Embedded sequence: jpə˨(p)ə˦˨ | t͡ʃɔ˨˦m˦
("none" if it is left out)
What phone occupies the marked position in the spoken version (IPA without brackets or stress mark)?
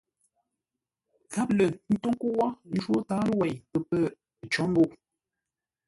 p